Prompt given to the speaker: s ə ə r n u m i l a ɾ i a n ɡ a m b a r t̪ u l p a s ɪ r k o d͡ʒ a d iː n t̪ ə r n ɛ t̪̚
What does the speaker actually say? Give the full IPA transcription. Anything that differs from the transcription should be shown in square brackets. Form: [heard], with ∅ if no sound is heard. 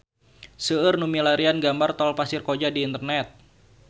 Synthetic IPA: s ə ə r n u m i l a ɾ i a n ɡ a m b a r t̪ [ɔ] l p a s ɪ r k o d͡ʒ a d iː n t̪ ə r n ɛ t̪̚